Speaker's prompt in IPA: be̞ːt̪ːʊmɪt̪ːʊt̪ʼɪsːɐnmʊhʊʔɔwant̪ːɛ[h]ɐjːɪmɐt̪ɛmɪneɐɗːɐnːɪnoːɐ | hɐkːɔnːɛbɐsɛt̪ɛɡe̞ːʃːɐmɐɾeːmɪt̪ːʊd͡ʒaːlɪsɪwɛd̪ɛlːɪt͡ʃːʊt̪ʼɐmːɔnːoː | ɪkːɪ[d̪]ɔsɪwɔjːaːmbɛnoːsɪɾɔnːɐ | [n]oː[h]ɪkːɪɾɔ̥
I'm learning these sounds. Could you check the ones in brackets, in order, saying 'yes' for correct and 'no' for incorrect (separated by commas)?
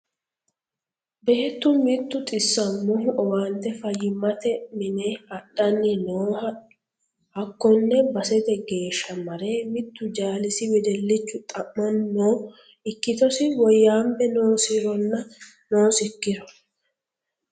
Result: no, no, yes, no